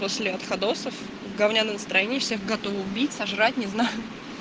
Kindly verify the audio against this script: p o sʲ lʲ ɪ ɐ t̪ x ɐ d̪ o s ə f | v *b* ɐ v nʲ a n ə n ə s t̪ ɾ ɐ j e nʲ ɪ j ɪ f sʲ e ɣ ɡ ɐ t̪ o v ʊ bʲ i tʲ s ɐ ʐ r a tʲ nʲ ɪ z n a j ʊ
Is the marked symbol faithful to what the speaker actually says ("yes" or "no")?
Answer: no